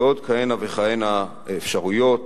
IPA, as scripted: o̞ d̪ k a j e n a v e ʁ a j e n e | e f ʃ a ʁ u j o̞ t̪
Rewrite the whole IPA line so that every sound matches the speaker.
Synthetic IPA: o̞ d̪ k a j e n a v e χ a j e n a | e f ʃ a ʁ u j o̞ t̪